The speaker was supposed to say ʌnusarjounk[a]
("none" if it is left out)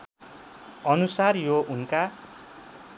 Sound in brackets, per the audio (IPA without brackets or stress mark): a